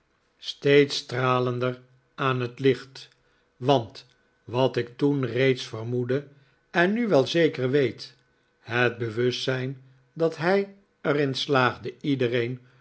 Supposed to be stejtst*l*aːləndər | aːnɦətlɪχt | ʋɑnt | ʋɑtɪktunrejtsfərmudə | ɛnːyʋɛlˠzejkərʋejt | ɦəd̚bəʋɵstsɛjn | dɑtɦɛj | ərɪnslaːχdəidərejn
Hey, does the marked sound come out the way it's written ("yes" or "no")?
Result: no